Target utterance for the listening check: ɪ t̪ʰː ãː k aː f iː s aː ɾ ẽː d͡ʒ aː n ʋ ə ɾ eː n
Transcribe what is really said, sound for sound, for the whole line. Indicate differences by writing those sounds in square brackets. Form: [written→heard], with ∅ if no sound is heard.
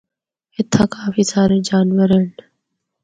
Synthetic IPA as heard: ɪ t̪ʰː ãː k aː f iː s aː ɾ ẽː d͡ʒ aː n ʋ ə ɾ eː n